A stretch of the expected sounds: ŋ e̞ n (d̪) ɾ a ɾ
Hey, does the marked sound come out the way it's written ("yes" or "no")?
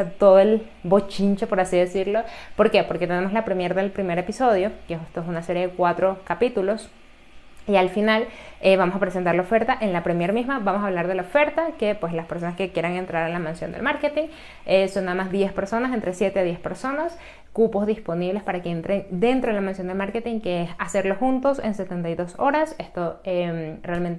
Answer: no